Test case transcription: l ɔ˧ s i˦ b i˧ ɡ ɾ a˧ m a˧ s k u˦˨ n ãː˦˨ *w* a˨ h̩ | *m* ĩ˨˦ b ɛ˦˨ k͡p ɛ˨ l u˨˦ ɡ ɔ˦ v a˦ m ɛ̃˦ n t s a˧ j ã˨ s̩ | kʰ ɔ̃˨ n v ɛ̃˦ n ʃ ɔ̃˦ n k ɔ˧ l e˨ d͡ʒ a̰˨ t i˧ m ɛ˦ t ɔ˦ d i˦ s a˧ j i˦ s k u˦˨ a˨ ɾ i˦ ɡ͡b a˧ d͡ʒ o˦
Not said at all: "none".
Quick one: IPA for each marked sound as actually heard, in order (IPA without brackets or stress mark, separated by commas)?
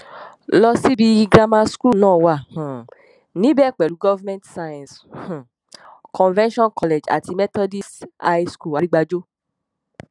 w, n